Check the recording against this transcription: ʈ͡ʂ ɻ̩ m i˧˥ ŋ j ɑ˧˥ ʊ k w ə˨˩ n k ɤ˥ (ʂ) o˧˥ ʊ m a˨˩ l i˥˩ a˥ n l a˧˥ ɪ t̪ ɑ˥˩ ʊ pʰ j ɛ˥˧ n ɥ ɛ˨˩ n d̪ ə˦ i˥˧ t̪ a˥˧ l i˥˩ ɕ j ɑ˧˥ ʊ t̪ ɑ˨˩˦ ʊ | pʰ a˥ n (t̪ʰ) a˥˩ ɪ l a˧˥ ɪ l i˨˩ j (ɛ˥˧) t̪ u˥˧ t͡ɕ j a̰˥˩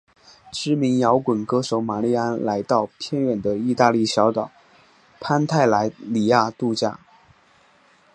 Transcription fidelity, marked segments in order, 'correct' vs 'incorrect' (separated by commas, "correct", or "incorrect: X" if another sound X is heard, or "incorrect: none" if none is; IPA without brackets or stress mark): correct, correct, incorrect: a˥˧